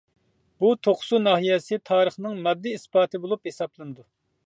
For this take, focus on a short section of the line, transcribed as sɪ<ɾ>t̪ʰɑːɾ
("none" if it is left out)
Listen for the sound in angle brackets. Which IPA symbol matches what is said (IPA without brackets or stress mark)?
none